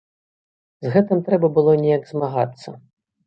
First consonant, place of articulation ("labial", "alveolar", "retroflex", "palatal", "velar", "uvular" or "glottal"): alveolar